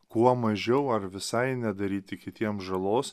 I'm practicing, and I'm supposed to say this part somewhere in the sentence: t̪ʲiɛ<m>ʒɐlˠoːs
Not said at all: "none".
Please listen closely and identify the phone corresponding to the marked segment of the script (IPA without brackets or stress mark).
m